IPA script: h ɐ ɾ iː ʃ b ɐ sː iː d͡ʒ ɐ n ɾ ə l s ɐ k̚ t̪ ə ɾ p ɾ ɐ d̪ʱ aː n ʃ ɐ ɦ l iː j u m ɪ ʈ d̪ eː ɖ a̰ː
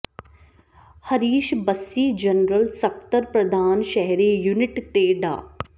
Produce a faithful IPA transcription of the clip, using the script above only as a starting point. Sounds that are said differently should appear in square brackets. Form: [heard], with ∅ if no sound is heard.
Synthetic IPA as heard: h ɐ ɾ iː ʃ b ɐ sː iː d͡ʒ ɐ n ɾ ə l s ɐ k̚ t̪ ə ɾ p ɾ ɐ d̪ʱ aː n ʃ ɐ ɦ [ɾ] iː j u [n] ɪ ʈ [t̪] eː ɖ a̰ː